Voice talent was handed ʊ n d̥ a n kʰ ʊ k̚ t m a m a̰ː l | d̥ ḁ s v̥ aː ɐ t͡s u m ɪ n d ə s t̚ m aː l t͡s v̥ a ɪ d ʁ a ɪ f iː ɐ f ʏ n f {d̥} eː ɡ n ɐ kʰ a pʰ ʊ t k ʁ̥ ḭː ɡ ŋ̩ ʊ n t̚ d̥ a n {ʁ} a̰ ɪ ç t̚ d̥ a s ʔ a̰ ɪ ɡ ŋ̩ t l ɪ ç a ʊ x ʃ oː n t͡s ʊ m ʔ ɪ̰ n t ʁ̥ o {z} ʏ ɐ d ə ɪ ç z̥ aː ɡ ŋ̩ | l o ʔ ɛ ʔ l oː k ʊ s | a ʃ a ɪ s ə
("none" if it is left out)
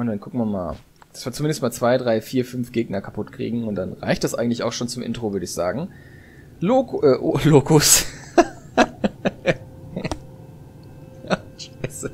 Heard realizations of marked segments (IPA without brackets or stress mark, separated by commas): ɡ̥, ʁ, v